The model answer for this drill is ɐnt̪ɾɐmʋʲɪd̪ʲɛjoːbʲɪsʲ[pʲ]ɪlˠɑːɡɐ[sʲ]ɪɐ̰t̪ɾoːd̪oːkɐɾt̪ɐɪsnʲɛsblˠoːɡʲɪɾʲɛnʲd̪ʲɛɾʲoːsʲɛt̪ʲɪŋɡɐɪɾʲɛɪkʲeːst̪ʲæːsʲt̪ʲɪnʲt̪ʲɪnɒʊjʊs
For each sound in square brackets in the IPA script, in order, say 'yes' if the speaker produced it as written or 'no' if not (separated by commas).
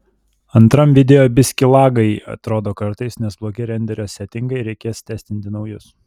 no, no